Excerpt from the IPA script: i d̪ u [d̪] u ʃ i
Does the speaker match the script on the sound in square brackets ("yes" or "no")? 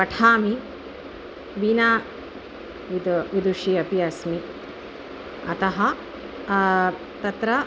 yes